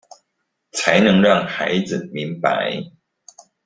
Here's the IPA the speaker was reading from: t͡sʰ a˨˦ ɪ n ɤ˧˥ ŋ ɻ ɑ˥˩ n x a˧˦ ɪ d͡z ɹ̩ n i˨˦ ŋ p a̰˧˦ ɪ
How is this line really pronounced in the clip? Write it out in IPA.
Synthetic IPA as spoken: t͡sʰ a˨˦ ɪ n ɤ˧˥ ŋ ɻ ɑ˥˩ ŋ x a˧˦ ɪ d͡z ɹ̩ m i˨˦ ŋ p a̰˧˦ ɪ